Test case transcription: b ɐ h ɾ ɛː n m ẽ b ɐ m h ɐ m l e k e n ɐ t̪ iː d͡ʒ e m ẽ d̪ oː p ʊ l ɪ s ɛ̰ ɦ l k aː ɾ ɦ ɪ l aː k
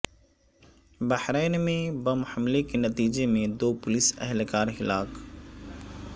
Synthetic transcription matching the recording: b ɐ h ɾ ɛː n m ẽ b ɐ m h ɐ m l e k e n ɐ t̪ iː d͡ʒ e m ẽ d̪ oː p ʊ l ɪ s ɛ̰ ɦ l k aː ɾ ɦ ɪ l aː k